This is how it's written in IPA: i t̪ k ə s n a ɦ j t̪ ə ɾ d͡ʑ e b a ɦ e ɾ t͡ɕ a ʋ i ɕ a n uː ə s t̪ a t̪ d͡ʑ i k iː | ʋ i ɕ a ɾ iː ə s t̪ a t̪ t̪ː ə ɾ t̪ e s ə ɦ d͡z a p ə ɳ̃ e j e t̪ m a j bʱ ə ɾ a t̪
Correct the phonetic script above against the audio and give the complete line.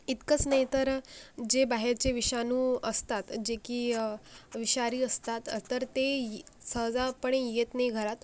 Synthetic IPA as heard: i t̪ k ə t͡s n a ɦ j t̪ ə ɾ d͡ʑ e b a ɦ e ɾ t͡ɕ e ʋ i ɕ a n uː ə s t̪ a t̪ d͡ʑ e k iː | ʋ i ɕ a ɾ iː ə s t̪ a t̪ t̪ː ə ɾ t̪ e s ə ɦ d͡z a p ə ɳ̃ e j e t̪ n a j ɡʱ ə ɾ a t̪